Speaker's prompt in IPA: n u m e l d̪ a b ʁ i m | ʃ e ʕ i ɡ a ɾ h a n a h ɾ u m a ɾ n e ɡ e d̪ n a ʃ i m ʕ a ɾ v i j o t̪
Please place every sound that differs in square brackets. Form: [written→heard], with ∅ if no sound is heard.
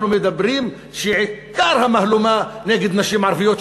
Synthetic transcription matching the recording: n u m e [l→∅] d̪ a b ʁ i m | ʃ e ʕ i [ɡ→k] a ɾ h a [n→m] a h [ɾ→l] u m a [ɾ→∅] n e ɡ e d̪ n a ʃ i m ʕ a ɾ v i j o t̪